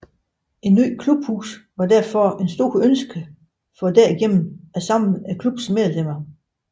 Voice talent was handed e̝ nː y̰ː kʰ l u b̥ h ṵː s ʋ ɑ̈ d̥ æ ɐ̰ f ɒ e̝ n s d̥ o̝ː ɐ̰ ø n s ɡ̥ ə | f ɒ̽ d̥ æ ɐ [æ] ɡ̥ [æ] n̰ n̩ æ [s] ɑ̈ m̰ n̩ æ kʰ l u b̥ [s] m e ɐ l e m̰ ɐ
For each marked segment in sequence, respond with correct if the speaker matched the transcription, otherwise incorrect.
incorrect: i, incorrect: e, correct, correct

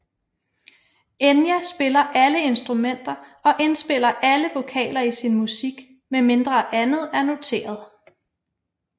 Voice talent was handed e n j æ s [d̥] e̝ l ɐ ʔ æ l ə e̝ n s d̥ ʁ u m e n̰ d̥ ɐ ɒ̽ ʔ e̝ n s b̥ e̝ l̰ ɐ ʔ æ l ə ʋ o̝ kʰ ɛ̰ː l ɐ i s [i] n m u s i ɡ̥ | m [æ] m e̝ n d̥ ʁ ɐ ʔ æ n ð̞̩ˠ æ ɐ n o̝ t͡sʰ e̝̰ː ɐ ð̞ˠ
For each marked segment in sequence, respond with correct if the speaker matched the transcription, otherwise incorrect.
incorrect: b̥, correct, incorrect: e

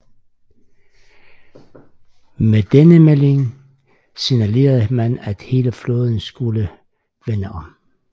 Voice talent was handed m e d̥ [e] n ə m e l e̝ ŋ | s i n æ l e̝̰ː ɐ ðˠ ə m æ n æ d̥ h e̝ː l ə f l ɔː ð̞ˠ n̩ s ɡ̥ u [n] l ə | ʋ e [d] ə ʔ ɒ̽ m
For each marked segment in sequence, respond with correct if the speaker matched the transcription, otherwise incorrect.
correct, incorrect: none, incorrect: n

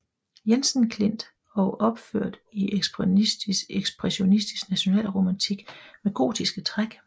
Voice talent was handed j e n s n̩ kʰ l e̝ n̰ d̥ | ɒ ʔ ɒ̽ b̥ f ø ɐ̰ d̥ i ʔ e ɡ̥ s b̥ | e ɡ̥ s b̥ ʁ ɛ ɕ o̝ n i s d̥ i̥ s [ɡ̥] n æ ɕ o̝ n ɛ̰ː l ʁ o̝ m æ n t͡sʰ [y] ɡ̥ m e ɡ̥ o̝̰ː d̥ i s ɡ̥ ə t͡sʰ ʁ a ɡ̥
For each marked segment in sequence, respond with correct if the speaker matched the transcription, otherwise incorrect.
correct, incorrect: i

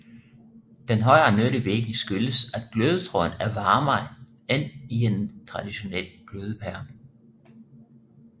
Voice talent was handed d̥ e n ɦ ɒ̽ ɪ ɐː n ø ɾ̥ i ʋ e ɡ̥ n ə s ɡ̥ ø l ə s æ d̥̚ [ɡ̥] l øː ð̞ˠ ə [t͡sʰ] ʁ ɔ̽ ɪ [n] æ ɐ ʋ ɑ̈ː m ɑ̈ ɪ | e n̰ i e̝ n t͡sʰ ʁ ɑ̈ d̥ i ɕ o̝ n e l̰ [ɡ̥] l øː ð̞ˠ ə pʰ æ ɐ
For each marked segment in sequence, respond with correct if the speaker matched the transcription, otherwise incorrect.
correct, correct, correct, correct

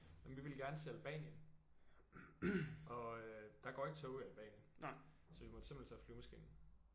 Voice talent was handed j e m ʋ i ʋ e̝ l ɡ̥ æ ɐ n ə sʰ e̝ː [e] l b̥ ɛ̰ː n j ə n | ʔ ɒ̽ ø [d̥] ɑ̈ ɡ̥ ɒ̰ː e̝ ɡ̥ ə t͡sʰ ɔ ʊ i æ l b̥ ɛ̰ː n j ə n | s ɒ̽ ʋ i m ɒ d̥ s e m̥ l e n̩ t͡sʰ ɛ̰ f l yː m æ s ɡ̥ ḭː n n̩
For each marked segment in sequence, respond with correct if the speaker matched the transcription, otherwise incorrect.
incorrect: æ, correct

